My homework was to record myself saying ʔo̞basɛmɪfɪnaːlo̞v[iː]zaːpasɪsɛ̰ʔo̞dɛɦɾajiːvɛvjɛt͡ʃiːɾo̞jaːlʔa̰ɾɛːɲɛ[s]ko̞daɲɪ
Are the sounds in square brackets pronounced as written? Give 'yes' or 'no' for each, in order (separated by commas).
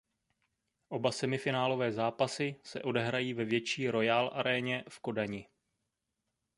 no, no